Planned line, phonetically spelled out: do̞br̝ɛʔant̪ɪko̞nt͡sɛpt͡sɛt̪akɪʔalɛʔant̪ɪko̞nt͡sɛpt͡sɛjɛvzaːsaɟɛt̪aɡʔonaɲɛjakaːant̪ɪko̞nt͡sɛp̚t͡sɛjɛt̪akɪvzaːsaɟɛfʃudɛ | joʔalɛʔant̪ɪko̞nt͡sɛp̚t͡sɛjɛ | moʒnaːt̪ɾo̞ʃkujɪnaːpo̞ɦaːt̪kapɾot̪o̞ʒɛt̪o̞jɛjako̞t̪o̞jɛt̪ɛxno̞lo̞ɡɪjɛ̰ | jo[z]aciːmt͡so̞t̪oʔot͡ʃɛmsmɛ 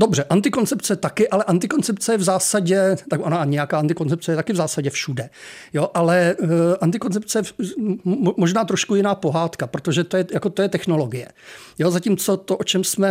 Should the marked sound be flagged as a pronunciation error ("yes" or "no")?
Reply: no